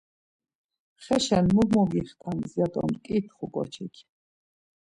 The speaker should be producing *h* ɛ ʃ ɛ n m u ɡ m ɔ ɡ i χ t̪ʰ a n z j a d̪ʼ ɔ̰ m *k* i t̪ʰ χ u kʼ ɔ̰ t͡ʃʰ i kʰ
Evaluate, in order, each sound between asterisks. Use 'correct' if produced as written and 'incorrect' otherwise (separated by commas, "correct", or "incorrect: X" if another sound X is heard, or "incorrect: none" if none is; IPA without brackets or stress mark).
incorrect: χ, incorrect: kʼ